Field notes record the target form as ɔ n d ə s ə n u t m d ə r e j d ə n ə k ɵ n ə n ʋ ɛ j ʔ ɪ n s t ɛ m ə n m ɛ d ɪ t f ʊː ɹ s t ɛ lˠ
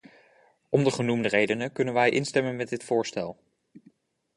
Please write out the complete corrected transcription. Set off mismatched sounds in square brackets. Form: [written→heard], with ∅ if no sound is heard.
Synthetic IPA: ɔ [n→m] d ə [s→χ] ə n u [t→∅] m d ə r e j d ə n ə k ɵ n ə n ʋ ɛ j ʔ ɪ n s t ɛ m ə n m ɛ d ɪ t f ʊː ɹ s t ɛ lˠ

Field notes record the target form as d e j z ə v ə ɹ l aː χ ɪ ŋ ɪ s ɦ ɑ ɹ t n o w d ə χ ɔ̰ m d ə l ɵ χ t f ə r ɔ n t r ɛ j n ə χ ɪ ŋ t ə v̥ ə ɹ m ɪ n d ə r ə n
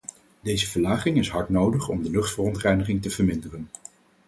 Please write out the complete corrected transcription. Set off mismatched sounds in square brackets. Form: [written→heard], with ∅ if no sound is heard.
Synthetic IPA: d e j z ə v ə ɹ l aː χ ɪ ŋ ɪ s ɦ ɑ ɹ t n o w d ə χ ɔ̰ m d ə l ɵ χ t f ə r ɔ n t r ɛ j n ə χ ɪ ŋ t ə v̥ ə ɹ m ɪ n d ə r ə n

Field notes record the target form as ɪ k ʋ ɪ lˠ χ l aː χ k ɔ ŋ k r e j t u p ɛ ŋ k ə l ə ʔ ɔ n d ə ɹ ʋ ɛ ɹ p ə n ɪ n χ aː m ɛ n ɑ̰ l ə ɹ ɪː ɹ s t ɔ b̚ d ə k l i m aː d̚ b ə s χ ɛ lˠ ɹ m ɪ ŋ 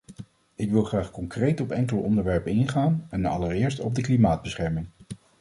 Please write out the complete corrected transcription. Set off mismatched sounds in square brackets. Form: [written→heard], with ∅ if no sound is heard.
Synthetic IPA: ɪ k ʋ ɪ lˠ χ [l→r] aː χ k ɔ ŋ k r e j t [u→ɔ] p ɛ ŋ k ə l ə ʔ ɔ n d ə ɹ ʋ ɛ ɹ p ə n ɪ n χ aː [m→n] ɛ n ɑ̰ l ə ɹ ɪː ɹ s t ɔ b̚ d ə k l i m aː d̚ b ə s χ ɛ [lˠ→∅] ɹ m ɪ ŋ

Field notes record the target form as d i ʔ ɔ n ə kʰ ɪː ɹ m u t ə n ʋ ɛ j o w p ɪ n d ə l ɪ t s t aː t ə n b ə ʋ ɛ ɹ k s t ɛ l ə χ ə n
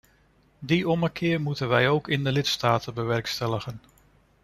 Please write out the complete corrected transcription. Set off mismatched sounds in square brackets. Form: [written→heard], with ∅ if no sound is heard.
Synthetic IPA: d i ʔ ɔ [n→m] ə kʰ ɪː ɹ m u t ə n ʋ ɛ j o w [p→k] ɪ n d ə l ɪ t s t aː t ə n b ə ʋ ɛ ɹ k s t ɛ l ə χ ə n

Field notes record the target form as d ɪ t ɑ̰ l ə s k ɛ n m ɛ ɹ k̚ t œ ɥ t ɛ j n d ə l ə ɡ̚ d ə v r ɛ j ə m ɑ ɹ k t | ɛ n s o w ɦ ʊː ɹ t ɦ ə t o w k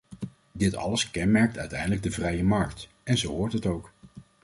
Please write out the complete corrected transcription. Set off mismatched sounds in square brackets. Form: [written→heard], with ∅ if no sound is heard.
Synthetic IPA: d ɪ t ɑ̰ l ə s k ɛ n m ɛ ɹ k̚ t œ ɥ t ɛ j n d ə l ə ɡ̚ d ə v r ɛ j ə m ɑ ɹ k t | ɛ n [s→z] o w ɦ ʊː ɹ t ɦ ə t o w k

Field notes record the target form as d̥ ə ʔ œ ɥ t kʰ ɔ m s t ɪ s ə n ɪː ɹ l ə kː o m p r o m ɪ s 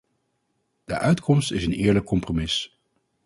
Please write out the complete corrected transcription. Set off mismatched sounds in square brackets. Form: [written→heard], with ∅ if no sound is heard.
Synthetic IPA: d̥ ə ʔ œ ɥ t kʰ ɔ m s t ɪ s ə n ɪː ɹ l ə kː [o→ɔ] m p r o m ɪ s

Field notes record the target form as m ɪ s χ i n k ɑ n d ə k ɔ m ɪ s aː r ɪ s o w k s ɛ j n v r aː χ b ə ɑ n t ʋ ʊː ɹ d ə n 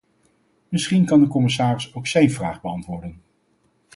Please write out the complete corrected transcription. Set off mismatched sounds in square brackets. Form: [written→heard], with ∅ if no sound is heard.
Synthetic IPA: m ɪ s χ i n k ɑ n d ə k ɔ m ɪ s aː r ɪ s o w k s ɛ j n v r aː χ b ə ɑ n t ʋ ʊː ɹ d ə n

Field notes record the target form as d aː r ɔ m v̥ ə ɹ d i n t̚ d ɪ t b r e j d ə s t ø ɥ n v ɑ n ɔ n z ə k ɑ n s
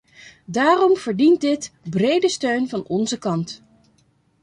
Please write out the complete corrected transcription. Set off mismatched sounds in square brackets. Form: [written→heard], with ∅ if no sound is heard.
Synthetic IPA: d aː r ɔ m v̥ ə ɹ d i n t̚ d ɪ t b r e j d ə s t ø ɥ n v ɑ n ɔ n z ə k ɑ n [s→t]

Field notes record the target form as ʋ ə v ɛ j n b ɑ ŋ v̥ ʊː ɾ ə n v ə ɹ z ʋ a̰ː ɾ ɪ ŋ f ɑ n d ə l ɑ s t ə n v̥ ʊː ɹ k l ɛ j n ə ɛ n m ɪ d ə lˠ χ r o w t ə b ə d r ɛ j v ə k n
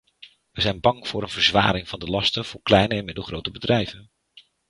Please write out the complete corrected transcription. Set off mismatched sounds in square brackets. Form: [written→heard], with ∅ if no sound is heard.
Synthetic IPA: ʋ ə [v→z] ɛ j n b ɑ ŋ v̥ ʊː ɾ ə n v ə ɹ z ʋ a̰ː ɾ ɪ ŋ [f→v] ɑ n d ə l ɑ s t ə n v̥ ʊː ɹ k l ɛ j n ə ɛ n m ɪ d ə lˠ χ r o w t ə b ə d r ɛ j v ə [k→∅] n

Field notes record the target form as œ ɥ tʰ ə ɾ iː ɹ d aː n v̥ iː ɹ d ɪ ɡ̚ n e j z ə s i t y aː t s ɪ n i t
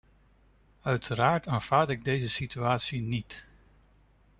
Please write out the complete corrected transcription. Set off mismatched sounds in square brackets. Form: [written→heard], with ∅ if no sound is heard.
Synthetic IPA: œ ɥ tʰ ə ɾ [iː→aː] ɹ [d→t] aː n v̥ [iː→aː] ɹ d ɪ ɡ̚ [n→d] e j z ə s i t y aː t s [ɪ→i] n i t

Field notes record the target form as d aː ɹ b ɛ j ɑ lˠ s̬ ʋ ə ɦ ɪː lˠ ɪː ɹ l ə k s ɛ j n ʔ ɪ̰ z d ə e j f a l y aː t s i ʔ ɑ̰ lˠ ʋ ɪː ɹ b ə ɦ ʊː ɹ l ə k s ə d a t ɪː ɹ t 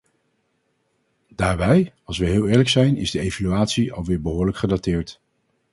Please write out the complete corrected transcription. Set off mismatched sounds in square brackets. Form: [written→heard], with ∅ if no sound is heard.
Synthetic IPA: d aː ɹ b ɛ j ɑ lˠ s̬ ʋ ə ɦ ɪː lˠ ɪː ɹ l ə k s ɛ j n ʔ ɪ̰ z d ə e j [f→v] a l y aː t s i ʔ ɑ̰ lˠ ʋ ɪː ɹ b ə ɦ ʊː ɹ l ə k [s→χ] ə d a t ɪː ɹ t

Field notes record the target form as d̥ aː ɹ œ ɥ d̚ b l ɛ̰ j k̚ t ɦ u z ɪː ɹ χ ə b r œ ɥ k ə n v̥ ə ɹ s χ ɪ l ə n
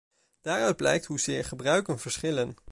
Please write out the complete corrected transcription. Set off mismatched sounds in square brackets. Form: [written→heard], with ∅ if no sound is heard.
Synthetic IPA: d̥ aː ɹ œ ɥ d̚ b l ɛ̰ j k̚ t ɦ u z ɪː ɹ χ ə b r œ ɥ k ə n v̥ ə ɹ s χ ɪ l ə n

